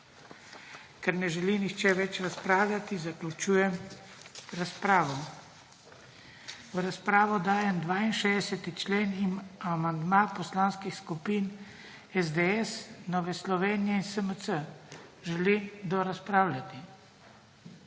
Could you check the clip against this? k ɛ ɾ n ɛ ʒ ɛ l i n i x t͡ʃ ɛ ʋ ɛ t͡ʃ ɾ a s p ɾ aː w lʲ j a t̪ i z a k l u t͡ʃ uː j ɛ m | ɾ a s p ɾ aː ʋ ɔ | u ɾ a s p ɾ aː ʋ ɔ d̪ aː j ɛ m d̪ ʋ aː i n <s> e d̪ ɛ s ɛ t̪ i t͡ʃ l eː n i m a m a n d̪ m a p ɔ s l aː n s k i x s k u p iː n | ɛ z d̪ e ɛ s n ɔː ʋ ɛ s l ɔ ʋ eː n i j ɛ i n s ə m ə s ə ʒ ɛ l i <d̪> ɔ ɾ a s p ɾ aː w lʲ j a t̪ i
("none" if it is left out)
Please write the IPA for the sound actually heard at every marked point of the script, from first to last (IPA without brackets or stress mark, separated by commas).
ʃ, d̪